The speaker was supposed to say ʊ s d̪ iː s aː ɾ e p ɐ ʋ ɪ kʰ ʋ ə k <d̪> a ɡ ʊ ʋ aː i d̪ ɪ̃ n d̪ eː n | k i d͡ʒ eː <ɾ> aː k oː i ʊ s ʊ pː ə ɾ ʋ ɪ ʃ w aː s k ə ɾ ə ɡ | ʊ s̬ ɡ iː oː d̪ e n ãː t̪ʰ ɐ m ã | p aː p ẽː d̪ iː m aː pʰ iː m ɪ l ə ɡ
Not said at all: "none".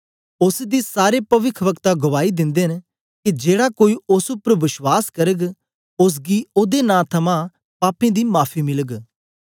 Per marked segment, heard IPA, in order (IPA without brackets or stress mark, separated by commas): t̪, ɽ